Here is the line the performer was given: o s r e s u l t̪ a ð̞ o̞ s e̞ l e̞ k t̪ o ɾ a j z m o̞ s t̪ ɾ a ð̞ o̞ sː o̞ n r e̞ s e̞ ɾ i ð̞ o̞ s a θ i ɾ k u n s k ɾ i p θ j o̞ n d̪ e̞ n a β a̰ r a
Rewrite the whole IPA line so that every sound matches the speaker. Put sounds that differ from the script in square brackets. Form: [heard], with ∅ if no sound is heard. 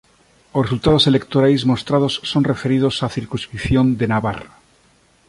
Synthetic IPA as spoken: o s r e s u l t̪ a ð̞ o̞ s e̞ l e̞ k t̪ o ɾ a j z m o̞ s t̪ ɾ a ð̞ o̞ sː o̞ n r e̞ [f] e̞ ɾ i ð̞ o̞ s a θ i ɾ k u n s k ɾ i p θ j o̞ n d̪ e̞ n a β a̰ r a